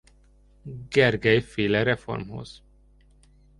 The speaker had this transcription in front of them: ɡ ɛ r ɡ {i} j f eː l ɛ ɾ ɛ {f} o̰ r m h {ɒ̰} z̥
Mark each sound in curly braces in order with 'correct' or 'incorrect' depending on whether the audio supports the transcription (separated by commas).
incorrect, correct, incorrect